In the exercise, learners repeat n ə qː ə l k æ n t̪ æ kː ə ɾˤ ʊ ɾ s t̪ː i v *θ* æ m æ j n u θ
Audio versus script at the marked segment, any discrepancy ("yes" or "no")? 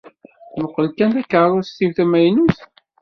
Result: no